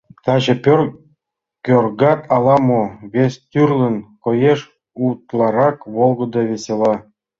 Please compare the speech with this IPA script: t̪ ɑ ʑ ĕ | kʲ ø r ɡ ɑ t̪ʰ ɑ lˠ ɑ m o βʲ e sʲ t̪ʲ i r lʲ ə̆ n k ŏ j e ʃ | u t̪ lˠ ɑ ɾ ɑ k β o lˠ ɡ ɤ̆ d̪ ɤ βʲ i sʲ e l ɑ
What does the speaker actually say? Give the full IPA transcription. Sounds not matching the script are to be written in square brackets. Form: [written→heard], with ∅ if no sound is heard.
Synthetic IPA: t̪ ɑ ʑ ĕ | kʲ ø r ɡ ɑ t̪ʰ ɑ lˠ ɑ m o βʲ e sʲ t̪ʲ [i→y] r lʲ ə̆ n k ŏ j e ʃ | u t̪ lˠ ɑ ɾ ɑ k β o lˠ ɡ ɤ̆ d̪ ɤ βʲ [i→e] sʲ e l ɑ